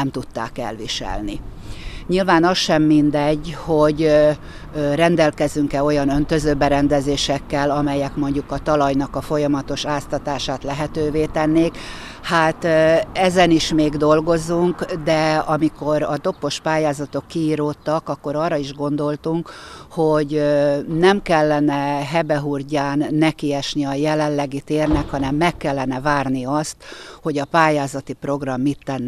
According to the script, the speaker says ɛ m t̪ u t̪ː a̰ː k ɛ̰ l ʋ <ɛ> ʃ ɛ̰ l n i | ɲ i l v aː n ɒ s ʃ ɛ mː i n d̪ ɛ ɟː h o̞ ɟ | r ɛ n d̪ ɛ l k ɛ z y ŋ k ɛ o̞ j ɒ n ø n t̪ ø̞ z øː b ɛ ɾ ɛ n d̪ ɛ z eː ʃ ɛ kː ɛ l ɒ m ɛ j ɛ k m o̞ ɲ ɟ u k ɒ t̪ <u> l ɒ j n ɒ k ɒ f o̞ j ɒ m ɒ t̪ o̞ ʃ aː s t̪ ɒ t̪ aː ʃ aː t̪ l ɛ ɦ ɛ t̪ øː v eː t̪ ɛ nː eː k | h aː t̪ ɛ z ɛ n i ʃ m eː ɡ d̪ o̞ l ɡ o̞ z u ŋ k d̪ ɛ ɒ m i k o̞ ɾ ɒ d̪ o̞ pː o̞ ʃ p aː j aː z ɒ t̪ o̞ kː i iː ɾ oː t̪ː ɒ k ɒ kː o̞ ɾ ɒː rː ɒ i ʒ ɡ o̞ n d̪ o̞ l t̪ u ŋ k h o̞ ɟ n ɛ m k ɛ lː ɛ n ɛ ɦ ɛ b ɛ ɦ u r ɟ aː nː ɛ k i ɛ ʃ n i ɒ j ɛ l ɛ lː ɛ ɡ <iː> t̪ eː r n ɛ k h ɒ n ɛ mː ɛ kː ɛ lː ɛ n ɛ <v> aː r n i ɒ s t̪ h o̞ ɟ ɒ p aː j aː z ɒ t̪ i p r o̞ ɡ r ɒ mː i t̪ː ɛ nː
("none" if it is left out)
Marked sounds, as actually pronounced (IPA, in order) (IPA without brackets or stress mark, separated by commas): i, ɒ, i, v